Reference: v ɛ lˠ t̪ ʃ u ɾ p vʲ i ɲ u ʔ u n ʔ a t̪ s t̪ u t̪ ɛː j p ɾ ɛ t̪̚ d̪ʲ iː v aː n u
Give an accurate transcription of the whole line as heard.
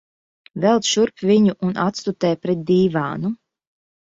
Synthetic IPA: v ɛ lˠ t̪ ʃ u ɾ p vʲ i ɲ u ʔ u n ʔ a t̪ s t̪ u t̪ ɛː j p ɾ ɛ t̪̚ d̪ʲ iː v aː n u